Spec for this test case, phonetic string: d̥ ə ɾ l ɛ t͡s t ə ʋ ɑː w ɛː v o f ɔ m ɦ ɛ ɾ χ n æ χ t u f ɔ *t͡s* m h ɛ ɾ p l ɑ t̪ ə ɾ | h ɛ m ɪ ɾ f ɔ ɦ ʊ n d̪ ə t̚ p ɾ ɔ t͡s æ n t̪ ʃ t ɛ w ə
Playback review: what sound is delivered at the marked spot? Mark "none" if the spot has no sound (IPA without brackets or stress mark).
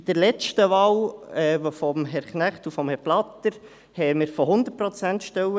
none